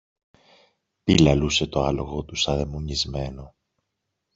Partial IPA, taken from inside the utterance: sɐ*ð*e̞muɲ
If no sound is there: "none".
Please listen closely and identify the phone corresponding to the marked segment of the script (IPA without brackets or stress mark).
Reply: ð